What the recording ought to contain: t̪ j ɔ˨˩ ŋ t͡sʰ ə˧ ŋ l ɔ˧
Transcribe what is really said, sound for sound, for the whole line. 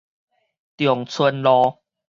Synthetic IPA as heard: t̪ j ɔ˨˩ ŋ t͡sʰ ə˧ n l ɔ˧